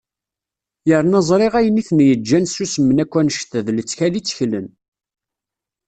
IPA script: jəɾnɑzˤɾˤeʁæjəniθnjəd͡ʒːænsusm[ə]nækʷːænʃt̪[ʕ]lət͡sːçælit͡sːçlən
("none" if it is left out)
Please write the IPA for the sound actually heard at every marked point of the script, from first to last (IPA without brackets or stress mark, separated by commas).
ə, ð